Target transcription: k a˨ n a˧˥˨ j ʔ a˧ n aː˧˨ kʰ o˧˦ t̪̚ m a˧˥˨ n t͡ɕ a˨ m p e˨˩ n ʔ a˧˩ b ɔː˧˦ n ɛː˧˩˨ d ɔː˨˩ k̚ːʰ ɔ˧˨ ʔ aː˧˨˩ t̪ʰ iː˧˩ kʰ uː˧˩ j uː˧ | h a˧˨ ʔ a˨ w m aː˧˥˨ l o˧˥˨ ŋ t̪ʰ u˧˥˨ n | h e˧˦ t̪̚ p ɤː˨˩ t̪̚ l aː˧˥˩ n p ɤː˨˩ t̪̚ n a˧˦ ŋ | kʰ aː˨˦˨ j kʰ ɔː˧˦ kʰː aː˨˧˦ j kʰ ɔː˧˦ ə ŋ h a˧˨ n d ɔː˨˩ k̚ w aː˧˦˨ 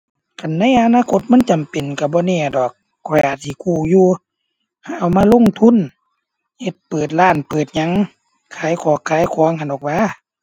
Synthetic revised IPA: k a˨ nː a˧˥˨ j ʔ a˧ n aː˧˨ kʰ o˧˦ t̪̚ m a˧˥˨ n t͡ɕ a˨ m p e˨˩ n k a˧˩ b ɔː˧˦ n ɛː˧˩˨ d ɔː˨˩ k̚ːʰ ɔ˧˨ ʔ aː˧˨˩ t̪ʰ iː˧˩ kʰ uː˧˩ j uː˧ | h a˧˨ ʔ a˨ w m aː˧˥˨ l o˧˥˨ ŋ t̪ʰ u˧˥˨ n | h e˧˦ t̪̚ p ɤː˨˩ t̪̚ l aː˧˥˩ n p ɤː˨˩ t̪̚ ɲ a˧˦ ŋ | kʰ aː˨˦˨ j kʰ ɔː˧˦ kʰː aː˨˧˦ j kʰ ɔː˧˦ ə ŋ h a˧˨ n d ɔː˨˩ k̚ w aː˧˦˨